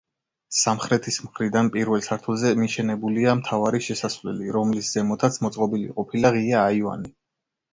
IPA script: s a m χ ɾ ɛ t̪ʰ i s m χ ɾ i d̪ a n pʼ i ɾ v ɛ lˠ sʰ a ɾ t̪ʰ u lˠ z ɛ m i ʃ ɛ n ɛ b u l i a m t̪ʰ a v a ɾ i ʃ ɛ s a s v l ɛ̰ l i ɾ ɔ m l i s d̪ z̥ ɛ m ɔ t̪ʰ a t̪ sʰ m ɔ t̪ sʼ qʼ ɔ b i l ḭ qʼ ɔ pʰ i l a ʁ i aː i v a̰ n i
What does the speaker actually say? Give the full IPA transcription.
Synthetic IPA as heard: s a m χ ɾ ɛ t̪ʰ i s m χ ɾ i d̪ a n pʼ i ɾ v ɛ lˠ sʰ a ɾ t̪ʰ u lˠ z ɛ m i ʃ ɛ n ɛ b u l i a m t̪ʰ a v a ɾ i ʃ ɛ s a s v l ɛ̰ l i ɾ ɔ m l i s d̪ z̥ ɛ m ɔ t̪ʰ a t̪ sʰ m ɔ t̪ sʼ qʼ ɔ b i l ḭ qʼ ɔ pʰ i l a ʁ i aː i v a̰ n i

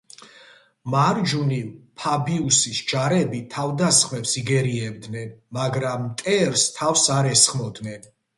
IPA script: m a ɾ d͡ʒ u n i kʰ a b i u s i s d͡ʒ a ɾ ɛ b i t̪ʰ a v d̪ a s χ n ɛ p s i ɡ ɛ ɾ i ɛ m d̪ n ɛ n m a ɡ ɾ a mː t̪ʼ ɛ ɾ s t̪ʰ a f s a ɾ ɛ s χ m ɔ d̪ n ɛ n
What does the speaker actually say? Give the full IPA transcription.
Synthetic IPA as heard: m a ɾ d͡ʒ u n i pʰ a b i u s i s d͡ʒ a ɾ ɛ b i t̪ʰ a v d̪ a s χ m ɛ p s i ɡ ɛ ɾ i ɛ b d̪ n ɛ n m a ɡ ɾ a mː t̪ʼ ɛ ɾ s t̪ʰ a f s a ɾ ɛ s χ m ɔ d̪ n ɛ n

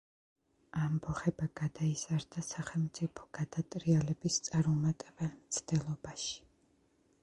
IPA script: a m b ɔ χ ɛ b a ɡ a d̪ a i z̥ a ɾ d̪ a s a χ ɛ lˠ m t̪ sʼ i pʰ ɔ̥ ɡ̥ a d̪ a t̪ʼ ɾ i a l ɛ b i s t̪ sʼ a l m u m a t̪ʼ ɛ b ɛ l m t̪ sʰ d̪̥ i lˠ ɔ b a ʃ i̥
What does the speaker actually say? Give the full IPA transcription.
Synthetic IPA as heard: a m b ɔ χ ɛ b a ɡ a d̪ a i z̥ a ɾ d̪ a s a χ ɛ lˠ m t̪ sʼ i pʰ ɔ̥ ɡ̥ a d̪ a t̪ʼ ɾ i a l ɛ b i s t̪ sʼ a ɾ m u m a t̪ʼ ɛ b ɛ l m t̪ sʰ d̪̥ ɛ lˠ ɔ b a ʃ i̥

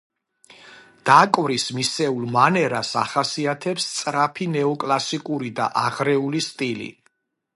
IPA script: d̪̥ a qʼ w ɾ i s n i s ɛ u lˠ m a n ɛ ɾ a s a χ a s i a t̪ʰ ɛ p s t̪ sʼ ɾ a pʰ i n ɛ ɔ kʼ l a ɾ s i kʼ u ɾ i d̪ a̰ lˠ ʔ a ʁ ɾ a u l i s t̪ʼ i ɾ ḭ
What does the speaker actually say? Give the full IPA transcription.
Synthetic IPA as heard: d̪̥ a kʼ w ɾ i s m i s ɛ u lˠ m a n ɛ ɾ a s a χ a s i a t̪ʰ ɛ p s t̪ sʼ ɾ a pʰ i n ɛ ɔ kʼ l a s i kʼ u ɾ i d̪ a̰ ʔ a ʁ ɾ ɛ u l i s t̪ʼ i l ḭ

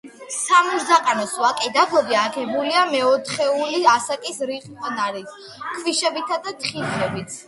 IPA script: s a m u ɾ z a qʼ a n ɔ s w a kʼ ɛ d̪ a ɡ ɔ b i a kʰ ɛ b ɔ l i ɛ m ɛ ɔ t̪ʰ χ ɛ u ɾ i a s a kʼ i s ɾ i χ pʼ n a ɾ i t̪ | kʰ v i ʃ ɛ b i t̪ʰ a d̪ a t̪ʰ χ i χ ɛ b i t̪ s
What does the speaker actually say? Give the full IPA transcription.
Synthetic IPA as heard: s a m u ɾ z a qʼ a n ɔ s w a kʼ ɛ d̪ a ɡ ɔ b i a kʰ ɛ b u l i a m ɛ ɔ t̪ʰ χ ɛ u l i a s a kʼ i s ɾ i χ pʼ n a ɾ i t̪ | kʰ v i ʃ ɛ b i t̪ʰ a d̪ a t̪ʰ χ i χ ɛ b i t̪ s

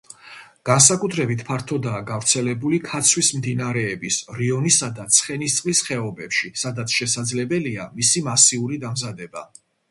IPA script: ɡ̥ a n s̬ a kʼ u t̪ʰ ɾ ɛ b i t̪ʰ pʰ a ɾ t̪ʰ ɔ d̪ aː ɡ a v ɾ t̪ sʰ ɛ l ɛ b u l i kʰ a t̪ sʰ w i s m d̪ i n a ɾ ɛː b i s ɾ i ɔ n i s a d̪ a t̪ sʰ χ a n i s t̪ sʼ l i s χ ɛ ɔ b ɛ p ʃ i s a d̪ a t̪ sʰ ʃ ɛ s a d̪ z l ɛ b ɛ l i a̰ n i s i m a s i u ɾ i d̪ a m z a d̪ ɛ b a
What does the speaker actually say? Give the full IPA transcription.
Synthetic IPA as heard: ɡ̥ a n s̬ a kʼ u t̪ʰ ɾ ɛ b i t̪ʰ pʰ a ɾ t̪ʰ ɔ d̪ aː ɡ a v ɾ t̪ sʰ ɛ l ɛ b u l i kʰ a t̪ sʰ w i s m d̪ i n a ɾ ɛː b i s ɾ i ɔ n i s a d̪ a t̪ sʰ χ ɛ n i s t̪ sʼ l i s χ ɛ ɔ b ɛ p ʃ i s a d̪ a t̪ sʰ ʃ ɛ s a d̪ z l ɛ b ɛ l i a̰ m i s i m a s i u ɾ i d̪ a m z a d̪ ɛ b a

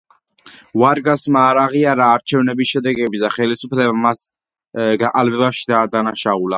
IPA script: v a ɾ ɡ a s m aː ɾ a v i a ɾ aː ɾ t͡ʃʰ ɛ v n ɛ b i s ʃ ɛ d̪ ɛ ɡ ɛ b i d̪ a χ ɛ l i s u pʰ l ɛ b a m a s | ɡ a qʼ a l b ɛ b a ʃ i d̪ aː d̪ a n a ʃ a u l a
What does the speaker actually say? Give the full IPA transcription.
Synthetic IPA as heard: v a ɾ ɡ a s m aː ɾ a ʁ i a ɾ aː ɾ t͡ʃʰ ɛ v n ɛ b i s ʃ ɛ d̪ ɛ ɡ ɛ b i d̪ a χ ɛ l i s u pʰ l ɛ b a m a s | ɡ a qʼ a l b ɛ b a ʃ i d̪ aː d̪ a n a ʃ a u l a

